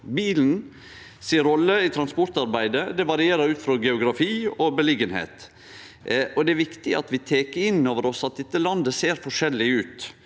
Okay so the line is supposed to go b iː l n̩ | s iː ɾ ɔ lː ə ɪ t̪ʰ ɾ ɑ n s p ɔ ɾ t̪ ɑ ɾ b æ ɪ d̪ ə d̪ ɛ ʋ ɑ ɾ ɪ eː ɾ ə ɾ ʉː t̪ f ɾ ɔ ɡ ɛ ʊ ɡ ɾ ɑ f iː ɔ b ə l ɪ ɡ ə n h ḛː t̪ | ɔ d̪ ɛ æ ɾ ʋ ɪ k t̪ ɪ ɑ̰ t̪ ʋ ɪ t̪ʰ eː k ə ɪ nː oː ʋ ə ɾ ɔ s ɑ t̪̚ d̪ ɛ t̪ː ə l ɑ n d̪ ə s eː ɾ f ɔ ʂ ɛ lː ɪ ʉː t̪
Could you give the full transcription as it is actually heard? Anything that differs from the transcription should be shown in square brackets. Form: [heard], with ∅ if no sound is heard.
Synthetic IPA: b iː l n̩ | s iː ɾ ɔ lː ə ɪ t̪ʰ ɾ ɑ n s p ɔ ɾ t̪ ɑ ɾ b æ ɪ d̪ ə d̪ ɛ ʋ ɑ ɾ ɪ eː ɾ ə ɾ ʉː t̪ f ɾ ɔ ɡ ɛ ʊ ɡ ɾ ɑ f iː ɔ b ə l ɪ ɡ ə n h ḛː t̪ | ɔ d̪ ɛ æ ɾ ʋ ɪ k t̪ ɪ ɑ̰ t̪ ʋ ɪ t̪ʰ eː k ə ɪ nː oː ʋ ə ɾ ɔ s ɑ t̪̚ d̪ ɛ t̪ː ə l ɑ n d̪ ə s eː ɾ f ɔ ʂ ɛ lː ɪ ʉː t̪